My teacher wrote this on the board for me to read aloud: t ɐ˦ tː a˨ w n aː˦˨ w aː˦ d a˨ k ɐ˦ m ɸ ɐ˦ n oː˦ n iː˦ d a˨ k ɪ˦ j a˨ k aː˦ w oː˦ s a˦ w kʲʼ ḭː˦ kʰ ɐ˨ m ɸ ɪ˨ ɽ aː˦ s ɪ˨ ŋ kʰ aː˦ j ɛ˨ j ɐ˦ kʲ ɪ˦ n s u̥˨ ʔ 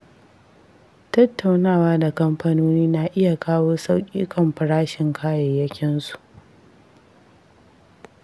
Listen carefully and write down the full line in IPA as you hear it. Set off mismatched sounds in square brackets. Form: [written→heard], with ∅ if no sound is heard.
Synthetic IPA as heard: t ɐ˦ tː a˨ w n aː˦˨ w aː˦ d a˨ k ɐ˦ m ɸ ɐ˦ n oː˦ n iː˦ [d→n] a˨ [k→ʔ] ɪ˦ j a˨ k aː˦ w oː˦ s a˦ w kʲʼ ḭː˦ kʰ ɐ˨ m ɸ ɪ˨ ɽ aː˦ [s→ʃ] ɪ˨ ŋ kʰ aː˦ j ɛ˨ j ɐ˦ kʲ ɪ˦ n s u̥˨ ʔ